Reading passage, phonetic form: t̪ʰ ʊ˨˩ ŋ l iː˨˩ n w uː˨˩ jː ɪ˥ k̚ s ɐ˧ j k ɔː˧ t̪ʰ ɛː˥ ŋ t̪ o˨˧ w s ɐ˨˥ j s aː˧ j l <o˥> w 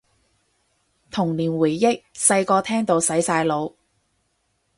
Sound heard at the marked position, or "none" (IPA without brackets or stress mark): o˨˧